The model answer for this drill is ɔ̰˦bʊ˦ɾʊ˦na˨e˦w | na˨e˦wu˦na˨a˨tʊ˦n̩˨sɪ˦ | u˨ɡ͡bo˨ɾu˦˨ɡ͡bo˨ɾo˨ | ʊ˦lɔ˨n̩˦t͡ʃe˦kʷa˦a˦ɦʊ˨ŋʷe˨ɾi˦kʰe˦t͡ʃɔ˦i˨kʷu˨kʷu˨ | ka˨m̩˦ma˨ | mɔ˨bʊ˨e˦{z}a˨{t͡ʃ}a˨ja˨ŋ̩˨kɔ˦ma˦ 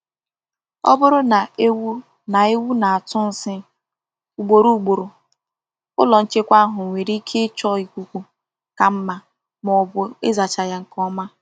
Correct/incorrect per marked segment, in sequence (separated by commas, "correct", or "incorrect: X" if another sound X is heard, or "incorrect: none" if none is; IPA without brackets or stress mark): correct, correct